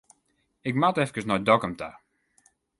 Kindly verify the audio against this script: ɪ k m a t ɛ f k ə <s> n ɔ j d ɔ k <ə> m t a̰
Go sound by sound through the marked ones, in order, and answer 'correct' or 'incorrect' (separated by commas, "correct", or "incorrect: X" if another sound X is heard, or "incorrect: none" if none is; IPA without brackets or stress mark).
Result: correct, correct